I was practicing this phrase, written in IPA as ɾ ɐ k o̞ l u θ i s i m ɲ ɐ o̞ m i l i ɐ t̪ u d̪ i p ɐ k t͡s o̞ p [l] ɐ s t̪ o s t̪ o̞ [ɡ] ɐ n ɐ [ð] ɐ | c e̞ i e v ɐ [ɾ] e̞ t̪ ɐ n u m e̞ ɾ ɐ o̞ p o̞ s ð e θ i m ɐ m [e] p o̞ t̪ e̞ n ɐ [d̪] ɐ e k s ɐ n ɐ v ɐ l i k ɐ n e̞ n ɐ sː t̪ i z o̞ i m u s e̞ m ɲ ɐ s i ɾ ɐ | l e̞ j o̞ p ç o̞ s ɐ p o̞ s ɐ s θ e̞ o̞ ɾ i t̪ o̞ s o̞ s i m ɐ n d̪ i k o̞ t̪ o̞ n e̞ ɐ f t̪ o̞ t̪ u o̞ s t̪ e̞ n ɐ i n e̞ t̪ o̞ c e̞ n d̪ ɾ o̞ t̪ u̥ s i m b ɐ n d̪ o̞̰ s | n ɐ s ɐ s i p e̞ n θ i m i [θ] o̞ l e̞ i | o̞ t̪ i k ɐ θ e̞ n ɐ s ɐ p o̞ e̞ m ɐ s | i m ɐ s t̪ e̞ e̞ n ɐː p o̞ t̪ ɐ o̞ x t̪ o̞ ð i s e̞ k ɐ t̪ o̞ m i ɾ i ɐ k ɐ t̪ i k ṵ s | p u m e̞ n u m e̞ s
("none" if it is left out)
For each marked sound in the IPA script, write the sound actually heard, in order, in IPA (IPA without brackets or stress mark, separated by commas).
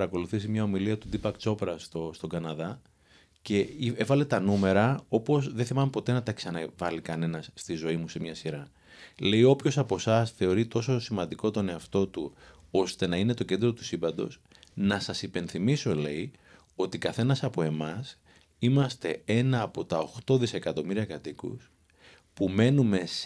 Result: ɾ, ɡ, ð, l, e, t̪, s